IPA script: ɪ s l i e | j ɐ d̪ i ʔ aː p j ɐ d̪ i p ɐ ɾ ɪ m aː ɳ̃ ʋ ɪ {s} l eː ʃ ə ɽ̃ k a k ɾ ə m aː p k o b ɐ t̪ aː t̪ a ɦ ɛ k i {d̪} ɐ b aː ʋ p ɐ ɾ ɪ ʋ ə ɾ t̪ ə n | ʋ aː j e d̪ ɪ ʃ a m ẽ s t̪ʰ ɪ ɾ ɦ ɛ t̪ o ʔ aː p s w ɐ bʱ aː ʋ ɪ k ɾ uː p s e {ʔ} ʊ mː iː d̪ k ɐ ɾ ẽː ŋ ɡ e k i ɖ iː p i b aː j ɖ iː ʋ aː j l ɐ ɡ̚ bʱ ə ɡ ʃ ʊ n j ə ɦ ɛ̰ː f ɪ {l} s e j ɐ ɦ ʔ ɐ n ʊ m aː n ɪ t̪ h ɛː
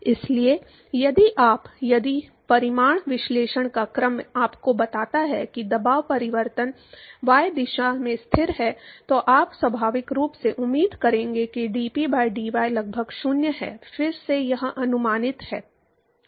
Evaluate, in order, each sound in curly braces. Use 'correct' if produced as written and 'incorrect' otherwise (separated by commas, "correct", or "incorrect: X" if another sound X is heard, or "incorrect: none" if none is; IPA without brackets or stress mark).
incorrect: ʃ, correct, correct, incorrect: ɾ